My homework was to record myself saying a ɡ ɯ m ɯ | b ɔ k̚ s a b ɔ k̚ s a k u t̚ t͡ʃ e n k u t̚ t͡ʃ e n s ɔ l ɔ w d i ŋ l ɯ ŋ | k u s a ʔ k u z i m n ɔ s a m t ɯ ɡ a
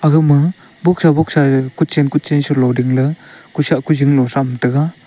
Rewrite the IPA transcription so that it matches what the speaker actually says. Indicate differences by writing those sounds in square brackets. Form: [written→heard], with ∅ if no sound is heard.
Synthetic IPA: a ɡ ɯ m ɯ | b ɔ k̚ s a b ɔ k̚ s a k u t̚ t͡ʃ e n k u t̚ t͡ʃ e n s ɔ l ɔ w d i ŋ l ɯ [ŋ→∅] | k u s a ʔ k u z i [m→ŋ] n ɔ s a m t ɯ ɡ a